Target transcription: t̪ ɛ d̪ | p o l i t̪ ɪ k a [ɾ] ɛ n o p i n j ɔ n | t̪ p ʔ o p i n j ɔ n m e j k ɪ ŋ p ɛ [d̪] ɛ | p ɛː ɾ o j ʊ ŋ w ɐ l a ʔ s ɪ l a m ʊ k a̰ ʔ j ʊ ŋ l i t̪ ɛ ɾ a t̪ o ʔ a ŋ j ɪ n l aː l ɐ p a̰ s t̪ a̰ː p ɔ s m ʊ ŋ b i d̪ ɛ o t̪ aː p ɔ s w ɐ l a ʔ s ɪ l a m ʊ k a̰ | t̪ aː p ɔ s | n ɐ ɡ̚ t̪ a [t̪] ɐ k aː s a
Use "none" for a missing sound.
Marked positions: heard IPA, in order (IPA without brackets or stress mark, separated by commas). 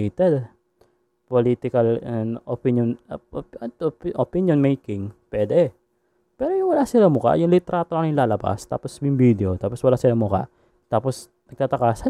l, d̪, t̪